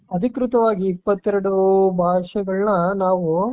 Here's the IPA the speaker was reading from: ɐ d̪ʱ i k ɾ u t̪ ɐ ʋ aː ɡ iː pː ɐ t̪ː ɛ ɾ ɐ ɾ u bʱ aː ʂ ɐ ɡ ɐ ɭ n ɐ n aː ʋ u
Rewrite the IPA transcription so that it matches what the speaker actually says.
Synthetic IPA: ɐ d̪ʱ i k ɾ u t̪ ɐ ʋ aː ɡ iː pː ɐ t̪ː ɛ ɾ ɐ ɽ u bʱ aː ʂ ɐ ɡ ɐ ɭ n ɐ n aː ʋ u